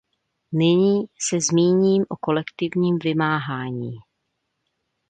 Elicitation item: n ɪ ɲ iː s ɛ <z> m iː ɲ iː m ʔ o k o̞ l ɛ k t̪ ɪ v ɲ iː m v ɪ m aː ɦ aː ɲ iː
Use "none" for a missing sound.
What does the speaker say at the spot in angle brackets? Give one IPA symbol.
z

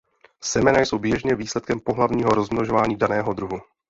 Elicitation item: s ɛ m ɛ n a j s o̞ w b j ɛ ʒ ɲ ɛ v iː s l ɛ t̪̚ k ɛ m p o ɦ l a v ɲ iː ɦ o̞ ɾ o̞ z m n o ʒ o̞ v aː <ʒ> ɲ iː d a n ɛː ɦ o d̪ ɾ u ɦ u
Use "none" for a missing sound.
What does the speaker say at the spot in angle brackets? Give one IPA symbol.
none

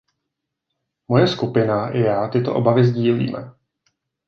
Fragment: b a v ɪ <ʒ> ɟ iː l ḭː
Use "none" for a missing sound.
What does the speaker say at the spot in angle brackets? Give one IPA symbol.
z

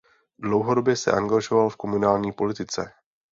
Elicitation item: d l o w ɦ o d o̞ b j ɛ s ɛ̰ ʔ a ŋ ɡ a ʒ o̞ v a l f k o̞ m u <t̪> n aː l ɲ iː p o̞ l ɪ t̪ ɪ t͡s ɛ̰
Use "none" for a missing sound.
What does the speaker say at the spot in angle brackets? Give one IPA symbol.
none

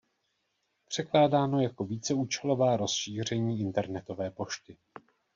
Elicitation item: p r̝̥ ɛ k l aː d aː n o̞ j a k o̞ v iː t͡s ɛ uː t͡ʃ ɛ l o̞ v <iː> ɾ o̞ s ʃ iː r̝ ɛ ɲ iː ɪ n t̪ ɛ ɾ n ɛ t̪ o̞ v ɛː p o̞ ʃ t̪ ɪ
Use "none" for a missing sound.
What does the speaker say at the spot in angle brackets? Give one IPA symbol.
aː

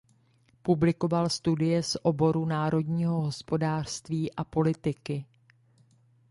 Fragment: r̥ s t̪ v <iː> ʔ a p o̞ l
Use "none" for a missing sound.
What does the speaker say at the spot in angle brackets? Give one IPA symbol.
iː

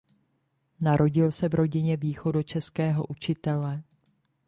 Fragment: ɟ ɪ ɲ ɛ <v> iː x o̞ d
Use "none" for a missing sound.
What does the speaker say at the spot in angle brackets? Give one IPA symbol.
v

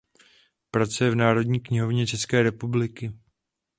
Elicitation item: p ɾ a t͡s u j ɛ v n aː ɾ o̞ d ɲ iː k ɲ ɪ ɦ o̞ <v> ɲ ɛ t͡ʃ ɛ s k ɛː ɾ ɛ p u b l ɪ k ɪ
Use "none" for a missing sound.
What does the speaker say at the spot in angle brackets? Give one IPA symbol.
v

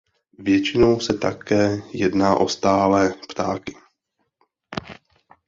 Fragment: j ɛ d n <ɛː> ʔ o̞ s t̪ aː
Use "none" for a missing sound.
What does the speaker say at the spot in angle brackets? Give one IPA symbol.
aː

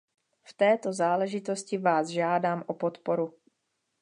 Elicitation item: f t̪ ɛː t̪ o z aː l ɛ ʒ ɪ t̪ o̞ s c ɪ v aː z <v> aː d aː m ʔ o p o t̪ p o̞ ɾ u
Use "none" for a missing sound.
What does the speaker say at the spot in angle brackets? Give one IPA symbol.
ʒ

